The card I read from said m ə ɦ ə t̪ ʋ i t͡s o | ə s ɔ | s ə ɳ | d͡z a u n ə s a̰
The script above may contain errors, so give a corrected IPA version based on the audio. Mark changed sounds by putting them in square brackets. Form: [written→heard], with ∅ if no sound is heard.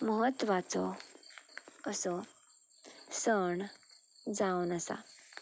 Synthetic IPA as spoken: m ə ɦ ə t̪ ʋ [i→a] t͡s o | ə s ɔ | s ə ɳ | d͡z a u n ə s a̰